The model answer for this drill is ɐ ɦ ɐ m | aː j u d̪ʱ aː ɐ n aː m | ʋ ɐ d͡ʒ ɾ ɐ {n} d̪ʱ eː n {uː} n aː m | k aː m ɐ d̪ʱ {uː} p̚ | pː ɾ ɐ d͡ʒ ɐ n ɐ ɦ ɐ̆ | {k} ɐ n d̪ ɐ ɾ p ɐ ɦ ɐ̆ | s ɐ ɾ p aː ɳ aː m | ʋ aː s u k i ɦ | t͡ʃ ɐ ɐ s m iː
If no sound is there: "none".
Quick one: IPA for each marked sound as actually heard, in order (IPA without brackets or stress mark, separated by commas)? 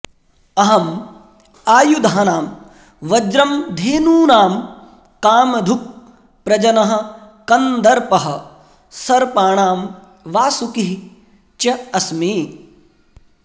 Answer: m, uː, u, k